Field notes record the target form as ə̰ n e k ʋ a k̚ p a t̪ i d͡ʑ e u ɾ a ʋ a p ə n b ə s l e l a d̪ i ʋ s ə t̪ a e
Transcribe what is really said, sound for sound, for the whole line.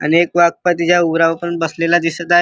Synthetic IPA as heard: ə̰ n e k ʋ a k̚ p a t̪ i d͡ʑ a u ɾ a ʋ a p ə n b ə s l e l a d̪ i s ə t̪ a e

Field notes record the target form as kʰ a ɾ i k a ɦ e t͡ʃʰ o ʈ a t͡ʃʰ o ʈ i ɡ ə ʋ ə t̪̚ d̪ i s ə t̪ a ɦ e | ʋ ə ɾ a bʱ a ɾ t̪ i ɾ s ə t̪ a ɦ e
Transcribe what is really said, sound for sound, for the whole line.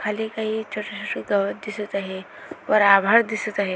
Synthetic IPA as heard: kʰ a l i k a ɦ i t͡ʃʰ o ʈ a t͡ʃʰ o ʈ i ɡ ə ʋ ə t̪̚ d̪ i s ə t̪ a ɦ e | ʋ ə ɾ a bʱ a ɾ d̪ i s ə t̪ a ɦ e

